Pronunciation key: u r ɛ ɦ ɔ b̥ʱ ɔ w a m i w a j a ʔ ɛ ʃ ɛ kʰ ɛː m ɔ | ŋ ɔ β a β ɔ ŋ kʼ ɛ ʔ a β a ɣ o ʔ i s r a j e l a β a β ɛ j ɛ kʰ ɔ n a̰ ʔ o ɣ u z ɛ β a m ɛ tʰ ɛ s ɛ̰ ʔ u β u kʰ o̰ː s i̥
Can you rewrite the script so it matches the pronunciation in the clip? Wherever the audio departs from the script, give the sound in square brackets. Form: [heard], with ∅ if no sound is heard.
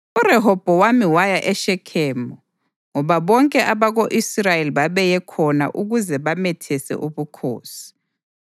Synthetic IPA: u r ɛ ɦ ɔ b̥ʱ ɔ w a m i w a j a ʔ ɛ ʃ ɛ kʰ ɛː m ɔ | ŋ ɔ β a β ɔ ŋ kʼ ɛ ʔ a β a ɣ o ʔ i s r a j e l [i] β a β ɛ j ɛ kʰ ɔ n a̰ ʔ [u] ɣ u z ɛ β a m ɛ tʰ ɛ s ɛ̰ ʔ u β u kʰ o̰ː s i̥